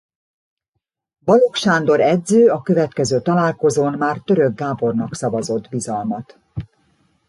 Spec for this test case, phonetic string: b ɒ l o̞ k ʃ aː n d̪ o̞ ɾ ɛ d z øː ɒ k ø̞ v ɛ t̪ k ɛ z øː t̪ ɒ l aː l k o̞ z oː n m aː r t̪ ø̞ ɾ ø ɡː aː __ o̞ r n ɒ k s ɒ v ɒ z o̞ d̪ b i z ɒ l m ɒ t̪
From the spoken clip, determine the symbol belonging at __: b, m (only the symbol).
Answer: b